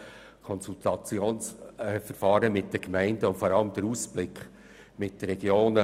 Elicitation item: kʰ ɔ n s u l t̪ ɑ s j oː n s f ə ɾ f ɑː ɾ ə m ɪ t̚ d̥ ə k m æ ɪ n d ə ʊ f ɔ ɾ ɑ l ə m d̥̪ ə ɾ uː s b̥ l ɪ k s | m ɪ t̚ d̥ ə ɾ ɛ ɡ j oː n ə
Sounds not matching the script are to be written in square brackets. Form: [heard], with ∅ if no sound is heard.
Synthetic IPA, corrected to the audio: kʰ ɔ n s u l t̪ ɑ [t͡s] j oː n s f ə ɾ f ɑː ɾ ə m ɪ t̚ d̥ ə k m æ ɪ n d ə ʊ f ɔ ɾ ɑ l ə m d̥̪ ə ɾ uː s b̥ l ɪ k [χ] | m ɪ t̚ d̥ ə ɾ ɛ ɡ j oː n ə